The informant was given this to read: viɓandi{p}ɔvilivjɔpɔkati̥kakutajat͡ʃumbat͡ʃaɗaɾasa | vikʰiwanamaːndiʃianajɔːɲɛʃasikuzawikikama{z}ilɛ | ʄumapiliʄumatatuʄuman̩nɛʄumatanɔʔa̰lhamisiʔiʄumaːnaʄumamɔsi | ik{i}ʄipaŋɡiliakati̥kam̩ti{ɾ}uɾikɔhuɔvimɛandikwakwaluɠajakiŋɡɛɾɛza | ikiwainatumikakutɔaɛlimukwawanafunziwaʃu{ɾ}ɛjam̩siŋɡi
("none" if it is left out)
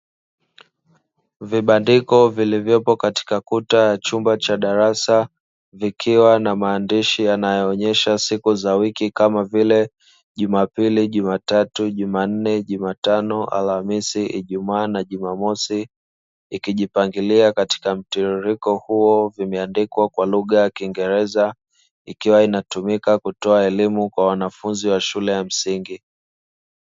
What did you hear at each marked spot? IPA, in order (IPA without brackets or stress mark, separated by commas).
k, v, i, ɾ, l